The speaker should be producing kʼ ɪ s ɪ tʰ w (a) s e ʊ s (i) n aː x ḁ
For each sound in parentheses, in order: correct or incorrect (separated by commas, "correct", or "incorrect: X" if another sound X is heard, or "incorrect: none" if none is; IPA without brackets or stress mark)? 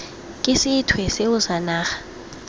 incorrect: ɛ, incorrect: a